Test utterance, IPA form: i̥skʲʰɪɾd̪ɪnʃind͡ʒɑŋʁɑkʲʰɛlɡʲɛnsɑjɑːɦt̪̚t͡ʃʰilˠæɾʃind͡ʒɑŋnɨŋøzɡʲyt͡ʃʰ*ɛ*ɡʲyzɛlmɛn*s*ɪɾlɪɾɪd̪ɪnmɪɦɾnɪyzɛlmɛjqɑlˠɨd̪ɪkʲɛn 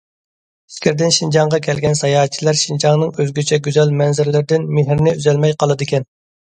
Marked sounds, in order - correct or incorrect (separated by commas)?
correct, incorrect